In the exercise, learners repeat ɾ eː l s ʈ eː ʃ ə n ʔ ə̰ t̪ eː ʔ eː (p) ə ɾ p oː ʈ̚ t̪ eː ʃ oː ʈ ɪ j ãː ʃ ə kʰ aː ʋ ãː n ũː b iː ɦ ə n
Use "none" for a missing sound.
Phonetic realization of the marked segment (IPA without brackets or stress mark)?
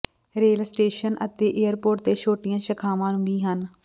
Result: none